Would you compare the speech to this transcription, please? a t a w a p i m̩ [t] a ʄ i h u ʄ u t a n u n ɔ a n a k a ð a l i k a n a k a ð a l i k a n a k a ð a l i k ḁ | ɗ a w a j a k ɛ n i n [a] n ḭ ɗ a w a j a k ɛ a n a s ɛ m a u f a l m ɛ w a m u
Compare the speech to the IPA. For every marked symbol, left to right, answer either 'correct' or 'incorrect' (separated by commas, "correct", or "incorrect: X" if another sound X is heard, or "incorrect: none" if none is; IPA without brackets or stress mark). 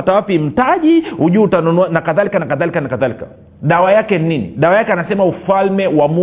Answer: correct, incorrect: i